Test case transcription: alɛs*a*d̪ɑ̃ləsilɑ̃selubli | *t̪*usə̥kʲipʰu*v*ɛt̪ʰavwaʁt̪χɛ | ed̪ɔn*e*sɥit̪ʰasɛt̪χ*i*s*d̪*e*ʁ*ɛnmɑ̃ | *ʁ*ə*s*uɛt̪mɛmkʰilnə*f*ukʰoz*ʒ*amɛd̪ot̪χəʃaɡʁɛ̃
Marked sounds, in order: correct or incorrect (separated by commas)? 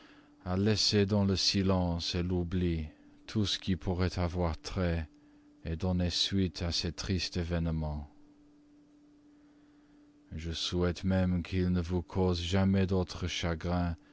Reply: incorrect, incorrect, incorrect, correct, correct, incorrect, incorrect, incorrect, correct, incorrect, correct